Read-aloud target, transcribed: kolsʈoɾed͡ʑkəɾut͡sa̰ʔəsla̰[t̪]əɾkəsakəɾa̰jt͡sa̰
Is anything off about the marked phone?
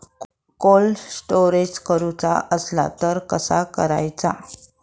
no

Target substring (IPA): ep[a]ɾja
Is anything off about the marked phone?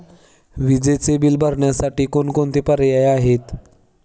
yes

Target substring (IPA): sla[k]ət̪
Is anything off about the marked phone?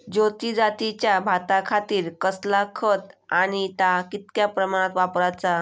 yes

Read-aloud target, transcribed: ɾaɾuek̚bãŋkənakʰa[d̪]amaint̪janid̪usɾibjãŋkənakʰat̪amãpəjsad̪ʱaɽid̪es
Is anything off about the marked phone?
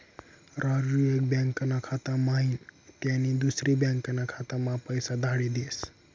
yes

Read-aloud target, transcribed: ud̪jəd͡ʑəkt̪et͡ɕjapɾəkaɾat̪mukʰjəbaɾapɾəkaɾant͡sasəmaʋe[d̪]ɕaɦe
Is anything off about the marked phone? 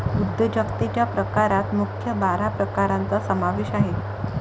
yes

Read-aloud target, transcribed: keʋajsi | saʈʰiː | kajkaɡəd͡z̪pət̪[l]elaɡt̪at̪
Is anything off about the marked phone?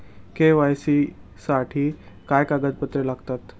yes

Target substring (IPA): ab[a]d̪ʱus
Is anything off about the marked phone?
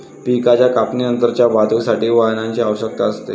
no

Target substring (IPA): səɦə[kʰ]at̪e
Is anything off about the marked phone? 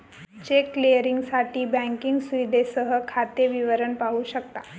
no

